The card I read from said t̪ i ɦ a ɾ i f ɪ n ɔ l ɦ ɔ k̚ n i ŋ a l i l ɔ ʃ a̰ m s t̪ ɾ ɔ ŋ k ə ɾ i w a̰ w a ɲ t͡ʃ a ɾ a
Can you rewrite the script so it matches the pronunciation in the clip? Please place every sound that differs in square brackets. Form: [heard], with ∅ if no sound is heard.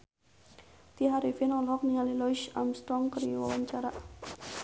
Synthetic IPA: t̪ i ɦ a ɾ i f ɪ n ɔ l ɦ ɔ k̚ n i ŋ a l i l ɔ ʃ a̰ m s t̪ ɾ ɔ ŋ k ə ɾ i w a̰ w a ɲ t͡ʃ a ɾ a

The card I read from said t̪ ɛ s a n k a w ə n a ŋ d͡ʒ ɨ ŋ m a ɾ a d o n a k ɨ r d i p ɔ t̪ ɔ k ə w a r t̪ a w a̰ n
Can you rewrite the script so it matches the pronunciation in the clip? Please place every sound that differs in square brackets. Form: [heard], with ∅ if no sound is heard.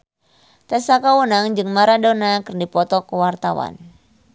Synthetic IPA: t̪ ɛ s a [∅] k a w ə n a ŋ d͡ʒ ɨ ŋ m a ɾ a d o n a k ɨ r d i p ɔ t̪ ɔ k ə w a r t̪ a w a̰ n

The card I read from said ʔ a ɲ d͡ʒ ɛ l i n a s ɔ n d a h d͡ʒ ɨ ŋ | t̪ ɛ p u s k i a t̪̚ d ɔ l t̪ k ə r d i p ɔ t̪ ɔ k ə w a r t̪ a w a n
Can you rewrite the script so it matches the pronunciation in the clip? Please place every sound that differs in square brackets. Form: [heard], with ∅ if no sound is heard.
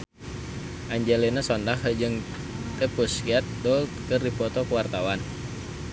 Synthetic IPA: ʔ a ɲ d͡ʒ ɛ l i n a s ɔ n d a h d͡ʒ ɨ ŋ | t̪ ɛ p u s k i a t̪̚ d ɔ l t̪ k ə r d i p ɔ t̪ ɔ k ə w a r t̪ a w a n

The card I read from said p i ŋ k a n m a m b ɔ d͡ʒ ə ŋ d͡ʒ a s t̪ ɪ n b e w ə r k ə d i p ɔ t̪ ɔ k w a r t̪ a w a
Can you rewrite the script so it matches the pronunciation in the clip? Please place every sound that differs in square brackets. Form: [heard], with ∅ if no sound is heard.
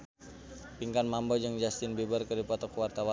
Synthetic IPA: p i ŋ k a n m a m b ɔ d͡ʒ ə ŋ d͡ʒ a s t̪ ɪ n b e [b] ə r k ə d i p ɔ t̪ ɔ k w a r t̪ a w a

